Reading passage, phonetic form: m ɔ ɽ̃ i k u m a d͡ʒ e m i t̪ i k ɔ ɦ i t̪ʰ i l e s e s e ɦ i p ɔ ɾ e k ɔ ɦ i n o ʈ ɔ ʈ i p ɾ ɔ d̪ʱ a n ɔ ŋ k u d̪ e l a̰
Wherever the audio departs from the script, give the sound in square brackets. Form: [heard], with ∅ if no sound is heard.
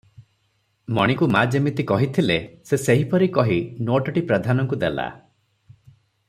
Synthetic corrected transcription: m ɔ ɽ̃ i k u m a d͡ʒ e m i t̪ i k ɔ ɦ i t̪ʰ i l e s e s e ɦ i p ɔ ɾ [i] k ɔ ɦ i n o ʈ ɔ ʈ i p ɾ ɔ d̪ʱ a n ɔ ŋ k u d̪ e l a̰